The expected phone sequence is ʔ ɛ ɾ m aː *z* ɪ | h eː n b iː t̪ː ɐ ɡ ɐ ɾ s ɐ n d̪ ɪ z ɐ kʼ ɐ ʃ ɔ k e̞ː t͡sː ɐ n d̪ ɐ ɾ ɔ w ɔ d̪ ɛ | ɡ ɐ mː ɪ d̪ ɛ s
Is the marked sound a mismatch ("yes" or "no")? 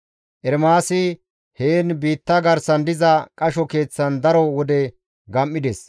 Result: yes